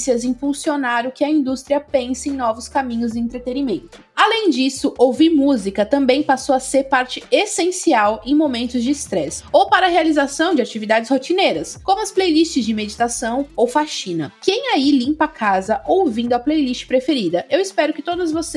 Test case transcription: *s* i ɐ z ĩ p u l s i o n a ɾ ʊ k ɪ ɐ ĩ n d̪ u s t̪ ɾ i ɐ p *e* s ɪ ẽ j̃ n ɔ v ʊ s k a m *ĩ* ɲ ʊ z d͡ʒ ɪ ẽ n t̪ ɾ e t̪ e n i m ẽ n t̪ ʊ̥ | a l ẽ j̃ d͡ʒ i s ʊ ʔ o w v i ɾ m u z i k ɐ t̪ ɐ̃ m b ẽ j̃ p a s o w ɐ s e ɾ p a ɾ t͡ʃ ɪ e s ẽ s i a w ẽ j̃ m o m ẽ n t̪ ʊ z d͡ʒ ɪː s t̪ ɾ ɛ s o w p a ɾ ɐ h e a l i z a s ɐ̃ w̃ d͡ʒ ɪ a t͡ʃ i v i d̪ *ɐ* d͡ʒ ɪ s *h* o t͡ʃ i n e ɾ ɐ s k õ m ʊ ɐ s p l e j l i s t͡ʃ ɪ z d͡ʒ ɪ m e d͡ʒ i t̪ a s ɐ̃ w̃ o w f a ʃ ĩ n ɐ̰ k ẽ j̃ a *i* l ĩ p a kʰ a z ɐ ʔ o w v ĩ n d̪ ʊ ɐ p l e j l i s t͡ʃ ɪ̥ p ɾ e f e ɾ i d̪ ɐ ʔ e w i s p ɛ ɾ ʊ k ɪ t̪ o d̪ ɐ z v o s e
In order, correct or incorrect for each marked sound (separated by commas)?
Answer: correct, incorrect, correct, incorrect, correct, correct